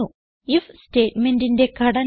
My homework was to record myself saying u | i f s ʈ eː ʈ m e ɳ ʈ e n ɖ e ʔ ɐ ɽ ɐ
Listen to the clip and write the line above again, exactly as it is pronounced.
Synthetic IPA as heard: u | i f s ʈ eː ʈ m e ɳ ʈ i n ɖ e k ɐ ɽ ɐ

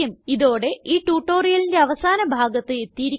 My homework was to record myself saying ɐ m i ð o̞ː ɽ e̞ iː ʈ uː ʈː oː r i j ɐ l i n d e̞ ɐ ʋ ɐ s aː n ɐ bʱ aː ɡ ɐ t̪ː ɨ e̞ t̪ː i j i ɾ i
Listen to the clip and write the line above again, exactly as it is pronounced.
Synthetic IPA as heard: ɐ m i ð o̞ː ɽ e̞ iː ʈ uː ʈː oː r i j ɐ l i n d e̞ ɐ ʋ ɐ s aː n ɐ bʱ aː ɡ ɐ t̪ː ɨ e̞ t̪ː i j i ɾ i

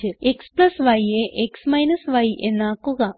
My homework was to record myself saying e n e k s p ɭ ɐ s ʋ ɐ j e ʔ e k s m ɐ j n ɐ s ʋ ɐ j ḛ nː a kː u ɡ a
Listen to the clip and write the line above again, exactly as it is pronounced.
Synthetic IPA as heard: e e k s p l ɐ s ʋ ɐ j e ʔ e k s m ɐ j n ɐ s ʋ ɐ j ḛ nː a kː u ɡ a

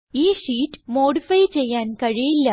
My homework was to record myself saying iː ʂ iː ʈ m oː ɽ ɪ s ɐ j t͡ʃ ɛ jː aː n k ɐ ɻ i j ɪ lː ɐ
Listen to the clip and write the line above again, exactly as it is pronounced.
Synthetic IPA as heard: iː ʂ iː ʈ m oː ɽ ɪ f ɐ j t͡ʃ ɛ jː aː n k ɐ ɻ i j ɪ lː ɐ

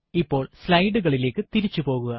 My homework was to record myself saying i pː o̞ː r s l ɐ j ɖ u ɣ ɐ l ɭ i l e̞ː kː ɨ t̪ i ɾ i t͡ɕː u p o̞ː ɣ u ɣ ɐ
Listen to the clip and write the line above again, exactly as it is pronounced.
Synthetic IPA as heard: i pː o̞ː ɭ s l ɐ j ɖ u ɣ ɐ ɭ i l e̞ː kː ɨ t̪ i ɾ i t͡ɕː u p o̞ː ɣ u ɣ ɐ

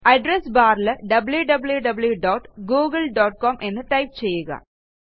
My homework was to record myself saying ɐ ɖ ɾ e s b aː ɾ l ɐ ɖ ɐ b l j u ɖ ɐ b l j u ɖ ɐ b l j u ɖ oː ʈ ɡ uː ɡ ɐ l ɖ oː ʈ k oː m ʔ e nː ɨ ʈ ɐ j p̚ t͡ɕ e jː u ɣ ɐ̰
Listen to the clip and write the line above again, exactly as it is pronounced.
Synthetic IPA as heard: ɐ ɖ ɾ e s b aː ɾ l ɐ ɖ ɐ b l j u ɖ ɐ b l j u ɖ ɐ b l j u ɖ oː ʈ ɡ uː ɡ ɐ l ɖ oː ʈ k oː m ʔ e nː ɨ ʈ ɐ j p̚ t͡ɕ e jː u ɣ ɐ̰

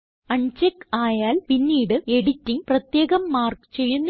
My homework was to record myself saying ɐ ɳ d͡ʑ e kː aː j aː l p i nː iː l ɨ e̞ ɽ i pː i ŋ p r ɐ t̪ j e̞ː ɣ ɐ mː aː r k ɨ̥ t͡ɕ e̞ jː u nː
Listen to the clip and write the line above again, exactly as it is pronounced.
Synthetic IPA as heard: ɐ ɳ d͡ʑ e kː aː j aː l p i nː iː ɽ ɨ e̞ ɽ i tː i ŋ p r ɐ t̪ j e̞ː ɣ ɐ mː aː r k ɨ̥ t͡ɕ e̞ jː u nː

